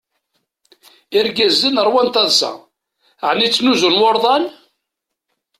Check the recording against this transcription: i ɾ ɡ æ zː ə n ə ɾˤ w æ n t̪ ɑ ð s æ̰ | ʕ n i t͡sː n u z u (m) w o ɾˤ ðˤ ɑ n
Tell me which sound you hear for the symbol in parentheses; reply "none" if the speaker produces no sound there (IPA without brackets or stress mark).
n